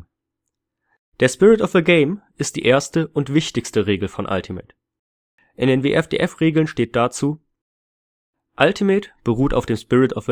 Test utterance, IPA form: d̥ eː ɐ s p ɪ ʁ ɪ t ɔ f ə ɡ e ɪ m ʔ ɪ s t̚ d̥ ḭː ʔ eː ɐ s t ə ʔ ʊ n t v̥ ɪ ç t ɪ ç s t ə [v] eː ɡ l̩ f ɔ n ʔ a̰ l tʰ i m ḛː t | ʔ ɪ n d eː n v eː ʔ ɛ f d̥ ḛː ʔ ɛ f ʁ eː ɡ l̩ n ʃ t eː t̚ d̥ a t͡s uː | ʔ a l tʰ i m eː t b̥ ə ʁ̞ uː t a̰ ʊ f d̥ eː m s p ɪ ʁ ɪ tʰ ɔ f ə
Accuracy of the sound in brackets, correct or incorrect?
incorrect